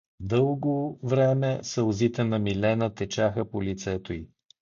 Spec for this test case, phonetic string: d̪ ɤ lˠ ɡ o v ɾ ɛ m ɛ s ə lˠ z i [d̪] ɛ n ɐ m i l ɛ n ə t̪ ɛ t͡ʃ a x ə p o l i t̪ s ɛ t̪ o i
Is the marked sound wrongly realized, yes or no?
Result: yes